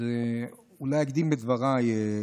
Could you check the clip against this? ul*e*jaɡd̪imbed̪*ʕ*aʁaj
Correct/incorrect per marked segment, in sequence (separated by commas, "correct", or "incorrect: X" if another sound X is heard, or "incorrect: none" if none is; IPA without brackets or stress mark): incorrect: a, incorrect: v